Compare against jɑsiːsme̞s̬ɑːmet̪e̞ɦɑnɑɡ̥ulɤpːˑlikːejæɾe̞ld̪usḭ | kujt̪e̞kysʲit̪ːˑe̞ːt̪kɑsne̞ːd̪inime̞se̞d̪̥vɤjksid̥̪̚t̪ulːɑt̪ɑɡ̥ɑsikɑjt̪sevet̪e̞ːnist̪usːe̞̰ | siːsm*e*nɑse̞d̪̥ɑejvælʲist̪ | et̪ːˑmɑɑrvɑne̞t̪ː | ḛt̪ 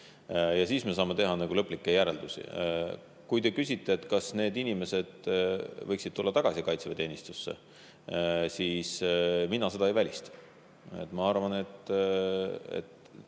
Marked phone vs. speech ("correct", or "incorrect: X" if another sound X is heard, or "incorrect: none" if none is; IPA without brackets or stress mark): incorrect: i